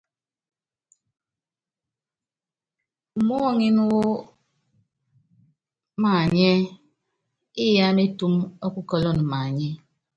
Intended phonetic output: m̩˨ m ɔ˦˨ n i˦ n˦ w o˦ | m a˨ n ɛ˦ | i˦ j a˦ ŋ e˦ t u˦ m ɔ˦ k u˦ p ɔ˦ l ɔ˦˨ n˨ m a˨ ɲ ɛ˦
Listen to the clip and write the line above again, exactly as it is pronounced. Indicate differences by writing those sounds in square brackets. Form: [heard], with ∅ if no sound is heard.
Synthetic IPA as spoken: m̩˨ m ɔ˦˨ [ŋ] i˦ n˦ w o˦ | m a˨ [ɲ] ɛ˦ | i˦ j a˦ [m] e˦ t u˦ m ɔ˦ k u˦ [k] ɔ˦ l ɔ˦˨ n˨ m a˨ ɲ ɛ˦